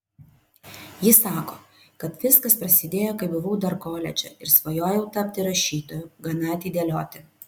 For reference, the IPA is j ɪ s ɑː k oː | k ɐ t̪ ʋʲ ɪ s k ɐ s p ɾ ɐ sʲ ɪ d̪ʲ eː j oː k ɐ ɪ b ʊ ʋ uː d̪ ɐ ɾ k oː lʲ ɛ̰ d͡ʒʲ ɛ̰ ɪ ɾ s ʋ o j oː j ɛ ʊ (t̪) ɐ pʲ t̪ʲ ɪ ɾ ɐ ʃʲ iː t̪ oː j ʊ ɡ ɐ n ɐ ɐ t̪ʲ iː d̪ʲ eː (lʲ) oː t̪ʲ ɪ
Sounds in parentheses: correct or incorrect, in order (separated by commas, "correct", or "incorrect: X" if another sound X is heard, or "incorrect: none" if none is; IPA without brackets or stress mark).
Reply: correct, correct